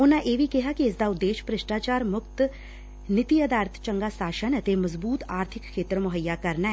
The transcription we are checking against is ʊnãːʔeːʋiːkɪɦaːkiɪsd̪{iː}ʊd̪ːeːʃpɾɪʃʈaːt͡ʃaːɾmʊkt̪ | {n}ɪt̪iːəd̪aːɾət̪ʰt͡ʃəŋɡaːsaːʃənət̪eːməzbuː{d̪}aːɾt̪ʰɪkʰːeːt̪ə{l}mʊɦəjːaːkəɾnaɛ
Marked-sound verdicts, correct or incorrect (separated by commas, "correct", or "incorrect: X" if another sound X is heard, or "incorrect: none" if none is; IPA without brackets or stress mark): incorrect: aː, correct, incorrect: t̪, incorrect: ɾ